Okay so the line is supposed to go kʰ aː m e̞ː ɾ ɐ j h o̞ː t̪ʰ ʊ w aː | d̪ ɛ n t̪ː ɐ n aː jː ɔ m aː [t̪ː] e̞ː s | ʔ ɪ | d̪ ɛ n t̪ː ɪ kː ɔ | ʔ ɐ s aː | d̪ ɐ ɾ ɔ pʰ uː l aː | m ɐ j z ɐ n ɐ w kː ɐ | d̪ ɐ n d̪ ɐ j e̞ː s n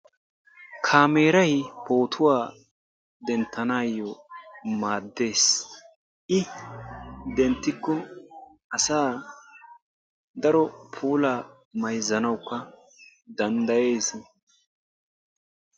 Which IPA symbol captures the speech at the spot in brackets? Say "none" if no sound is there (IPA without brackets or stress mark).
d̪ː